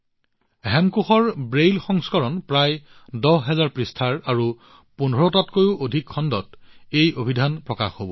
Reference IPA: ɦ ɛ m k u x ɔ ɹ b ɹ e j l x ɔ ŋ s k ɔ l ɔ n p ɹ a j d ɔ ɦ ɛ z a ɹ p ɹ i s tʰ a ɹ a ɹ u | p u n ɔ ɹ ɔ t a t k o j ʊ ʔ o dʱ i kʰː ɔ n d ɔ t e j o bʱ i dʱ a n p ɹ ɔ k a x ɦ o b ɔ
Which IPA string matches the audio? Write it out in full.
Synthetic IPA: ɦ ɛ m k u x ɔ ɹ b ɹ e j l x ɔ ŋ s k ɔ ɹ ɔ n p ɹ a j d ɔ ɦ ɛ z a ɹ p ɹ i s tʰ a ɹ a ɹ u | p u n ɔ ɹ ɔ t a t k o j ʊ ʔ o dʱ i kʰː ɔ n d ɔ t e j o bʱ i dʱ a n p ɹ ɔ k a x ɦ o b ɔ